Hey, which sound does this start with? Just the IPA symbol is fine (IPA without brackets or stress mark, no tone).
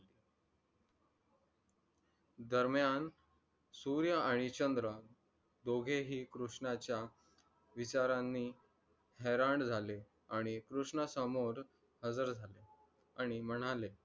d̪